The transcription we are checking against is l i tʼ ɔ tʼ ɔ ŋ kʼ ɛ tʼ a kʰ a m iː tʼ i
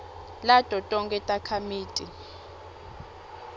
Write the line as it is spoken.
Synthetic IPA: l a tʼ ɔ tʼ ɔ ŋ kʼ ɛ tʼ a kʰ a m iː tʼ i